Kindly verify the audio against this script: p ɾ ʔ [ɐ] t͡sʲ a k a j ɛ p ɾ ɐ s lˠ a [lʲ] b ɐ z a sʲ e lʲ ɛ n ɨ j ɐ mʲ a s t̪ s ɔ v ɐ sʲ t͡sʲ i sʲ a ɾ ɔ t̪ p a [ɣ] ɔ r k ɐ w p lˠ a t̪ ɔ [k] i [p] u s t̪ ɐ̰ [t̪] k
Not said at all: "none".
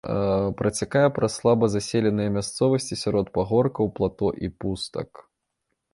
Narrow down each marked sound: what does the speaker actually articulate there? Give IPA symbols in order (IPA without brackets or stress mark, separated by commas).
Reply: ɐ, none, ɣ, ʔ, p, none